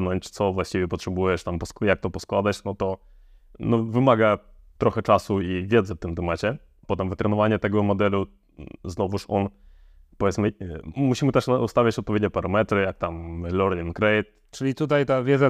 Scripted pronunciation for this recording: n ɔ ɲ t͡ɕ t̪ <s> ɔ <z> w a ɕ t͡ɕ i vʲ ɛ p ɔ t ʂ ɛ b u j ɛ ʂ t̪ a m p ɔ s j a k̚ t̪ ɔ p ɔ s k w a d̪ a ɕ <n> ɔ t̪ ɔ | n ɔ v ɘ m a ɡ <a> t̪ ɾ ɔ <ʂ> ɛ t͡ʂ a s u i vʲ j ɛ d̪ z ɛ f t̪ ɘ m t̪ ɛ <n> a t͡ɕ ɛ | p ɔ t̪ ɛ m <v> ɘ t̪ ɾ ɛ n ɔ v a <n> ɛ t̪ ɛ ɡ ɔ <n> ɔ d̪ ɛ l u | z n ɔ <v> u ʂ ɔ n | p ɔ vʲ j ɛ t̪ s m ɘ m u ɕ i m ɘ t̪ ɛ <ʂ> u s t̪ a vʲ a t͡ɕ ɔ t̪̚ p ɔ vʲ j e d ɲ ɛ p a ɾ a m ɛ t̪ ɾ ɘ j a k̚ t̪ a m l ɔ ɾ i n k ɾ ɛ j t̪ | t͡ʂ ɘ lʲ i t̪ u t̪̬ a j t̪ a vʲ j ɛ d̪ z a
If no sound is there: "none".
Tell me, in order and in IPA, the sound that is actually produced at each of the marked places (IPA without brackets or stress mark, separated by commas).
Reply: s, v, n, a, x, m, v, ɲ, m, v, ʂ